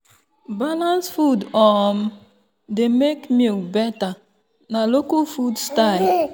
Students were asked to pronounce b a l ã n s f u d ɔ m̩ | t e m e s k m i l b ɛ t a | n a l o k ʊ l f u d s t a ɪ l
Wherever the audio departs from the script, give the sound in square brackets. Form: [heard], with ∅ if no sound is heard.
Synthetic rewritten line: b a l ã n s f u d ɔ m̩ | [d] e m e [∅] k m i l b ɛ t a | n a l o k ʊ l f u d s t a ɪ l